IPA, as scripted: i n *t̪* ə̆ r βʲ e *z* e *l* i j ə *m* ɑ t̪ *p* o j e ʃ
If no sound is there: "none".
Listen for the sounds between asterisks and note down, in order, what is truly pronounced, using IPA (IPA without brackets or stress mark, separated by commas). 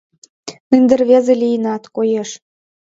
d̪, z, l, n, k